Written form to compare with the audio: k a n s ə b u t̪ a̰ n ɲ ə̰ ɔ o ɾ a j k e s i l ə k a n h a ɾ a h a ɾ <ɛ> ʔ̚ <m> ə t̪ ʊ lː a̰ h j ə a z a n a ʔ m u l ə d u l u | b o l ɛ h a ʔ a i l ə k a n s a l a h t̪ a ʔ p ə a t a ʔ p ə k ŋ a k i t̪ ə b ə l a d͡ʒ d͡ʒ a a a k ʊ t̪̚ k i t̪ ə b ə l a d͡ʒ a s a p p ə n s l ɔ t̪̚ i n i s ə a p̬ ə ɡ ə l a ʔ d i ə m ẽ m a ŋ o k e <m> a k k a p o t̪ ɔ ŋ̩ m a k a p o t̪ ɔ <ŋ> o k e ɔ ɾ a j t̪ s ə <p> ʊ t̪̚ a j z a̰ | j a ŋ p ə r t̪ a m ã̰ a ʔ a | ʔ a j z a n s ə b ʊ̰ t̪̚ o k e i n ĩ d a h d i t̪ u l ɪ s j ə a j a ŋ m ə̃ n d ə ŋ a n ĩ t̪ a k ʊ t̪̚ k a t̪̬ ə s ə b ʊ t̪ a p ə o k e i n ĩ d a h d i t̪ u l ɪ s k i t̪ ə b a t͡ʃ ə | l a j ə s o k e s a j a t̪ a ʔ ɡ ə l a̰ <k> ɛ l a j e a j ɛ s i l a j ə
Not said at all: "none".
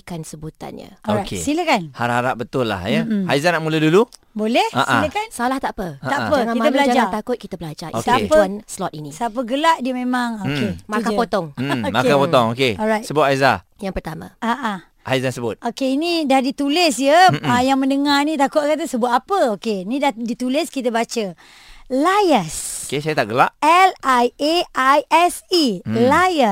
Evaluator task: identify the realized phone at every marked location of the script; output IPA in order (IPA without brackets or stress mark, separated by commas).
a, b, m, ŋ, b, ʔ